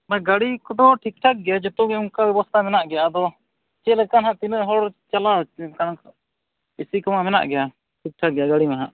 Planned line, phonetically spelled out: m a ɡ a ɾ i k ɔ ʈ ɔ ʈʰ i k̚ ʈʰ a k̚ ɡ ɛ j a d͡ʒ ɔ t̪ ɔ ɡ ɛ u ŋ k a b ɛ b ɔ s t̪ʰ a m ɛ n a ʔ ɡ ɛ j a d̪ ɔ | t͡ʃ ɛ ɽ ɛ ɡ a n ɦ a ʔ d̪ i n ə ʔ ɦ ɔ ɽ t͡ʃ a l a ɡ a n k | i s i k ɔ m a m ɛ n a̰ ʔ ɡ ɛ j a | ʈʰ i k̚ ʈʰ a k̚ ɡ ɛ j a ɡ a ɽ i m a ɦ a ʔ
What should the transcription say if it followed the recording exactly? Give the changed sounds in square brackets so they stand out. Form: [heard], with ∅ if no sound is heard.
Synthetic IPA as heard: m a ɡ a [ɽ] i k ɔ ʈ ɔ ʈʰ i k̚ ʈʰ a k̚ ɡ ɛ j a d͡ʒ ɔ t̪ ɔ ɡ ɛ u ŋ k a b ɛ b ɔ s t̪ʰ a m ɛ n a ʔ ɡ ɛ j a d̪ ɔ | t͡ʃ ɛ [l] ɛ [k] a n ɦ a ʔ [t̪] i n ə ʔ ɦ ɔ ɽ t͡ʃ a l a [k] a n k | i s i k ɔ m a m ɛ n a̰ ʔ ɡ ɛ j a | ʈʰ i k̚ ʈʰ a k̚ ɡ ɛ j a ɡ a ɽ i m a ɦ a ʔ